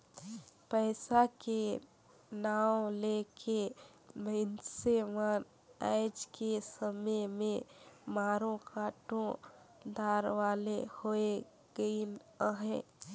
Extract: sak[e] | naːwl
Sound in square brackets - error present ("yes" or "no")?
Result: no